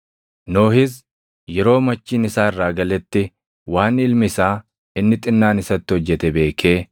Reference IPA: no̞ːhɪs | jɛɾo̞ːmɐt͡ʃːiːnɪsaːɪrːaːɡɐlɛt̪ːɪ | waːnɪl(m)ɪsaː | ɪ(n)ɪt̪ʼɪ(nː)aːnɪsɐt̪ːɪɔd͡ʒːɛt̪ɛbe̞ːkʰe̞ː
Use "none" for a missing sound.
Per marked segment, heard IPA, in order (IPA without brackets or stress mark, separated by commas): m, nː, nː